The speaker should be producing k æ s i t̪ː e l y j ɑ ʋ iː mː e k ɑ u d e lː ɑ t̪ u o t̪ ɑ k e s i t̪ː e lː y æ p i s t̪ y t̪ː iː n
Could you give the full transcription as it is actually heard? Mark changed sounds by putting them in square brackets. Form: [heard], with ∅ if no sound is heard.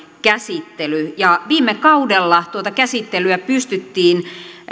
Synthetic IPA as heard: k æ s i t̪ː e l y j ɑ ʋ iː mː e k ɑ u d e lː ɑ t̪ u o t̪ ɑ k [æ] s i t̪ː e [l] y æ p [y] s t̪ y t̪ː iː n

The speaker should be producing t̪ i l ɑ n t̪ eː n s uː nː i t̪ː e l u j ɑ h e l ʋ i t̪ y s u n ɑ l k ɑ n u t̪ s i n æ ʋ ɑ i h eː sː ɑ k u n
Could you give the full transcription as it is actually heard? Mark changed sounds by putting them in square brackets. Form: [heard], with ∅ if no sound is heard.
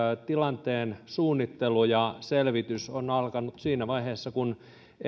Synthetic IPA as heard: t̪ i l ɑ n t̪ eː n s uː nː i t̪ː e l u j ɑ [s] e l ʋ i t̪ y s [o] n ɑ l k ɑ n u t̪ s [iː] n æ ʋ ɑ i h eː sː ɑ k u n

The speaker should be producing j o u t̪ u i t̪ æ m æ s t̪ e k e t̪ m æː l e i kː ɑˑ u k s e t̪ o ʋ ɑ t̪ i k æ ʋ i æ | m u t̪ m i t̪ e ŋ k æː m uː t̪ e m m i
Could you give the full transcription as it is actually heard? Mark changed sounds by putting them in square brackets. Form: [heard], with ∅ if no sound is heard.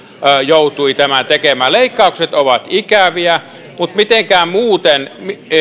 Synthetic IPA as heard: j o u t̪ u i t̪ æ m æ [∅] t̪ e k e [∅] m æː l e i kː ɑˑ u k s e t̪ o ʋ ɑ t̪ i k æ ʋ i æ | m u t̪ m i t̪ e ŋ k æː m uː t̪ e [n] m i

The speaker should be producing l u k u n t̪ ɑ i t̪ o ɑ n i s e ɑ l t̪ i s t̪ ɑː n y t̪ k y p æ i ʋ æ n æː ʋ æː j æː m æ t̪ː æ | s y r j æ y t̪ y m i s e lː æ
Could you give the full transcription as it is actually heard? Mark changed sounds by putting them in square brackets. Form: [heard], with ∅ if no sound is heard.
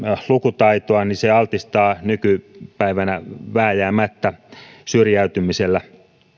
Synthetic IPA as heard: l u k u [∅] t̪ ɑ i t̪ o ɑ n i s e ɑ l t̪ i s t̪ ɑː n y [∅] k y p æ i ʋ æ n [æ] ʋ æː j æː m æ t̪ː æ | s y r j æ y t̪ y m i s e lː æ

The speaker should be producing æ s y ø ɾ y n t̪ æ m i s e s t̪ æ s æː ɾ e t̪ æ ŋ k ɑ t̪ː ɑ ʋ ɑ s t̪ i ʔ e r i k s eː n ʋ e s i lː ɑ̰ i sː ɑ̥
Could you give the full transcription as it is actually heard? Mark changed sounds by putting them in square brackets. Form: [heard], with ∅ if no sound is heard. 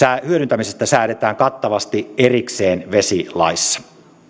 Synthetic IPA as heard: æ [h] y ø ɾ y n t̪ æ m i s e s t̪ æ s æː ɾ e t̪ [æː] ŋ k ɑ t̪ː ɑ ʋ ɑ s t̪ i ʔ e r i k s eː n ʋ e s i [l] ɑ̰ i sː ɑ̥

